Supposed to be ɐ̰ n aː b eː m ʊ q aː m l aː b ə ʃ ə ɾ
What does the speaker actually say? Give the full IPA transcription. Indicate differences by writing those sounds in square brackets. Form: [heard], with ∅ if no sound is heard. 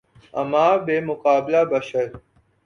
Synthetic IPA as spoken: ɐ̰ [m] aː b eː m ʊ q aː [b] l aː b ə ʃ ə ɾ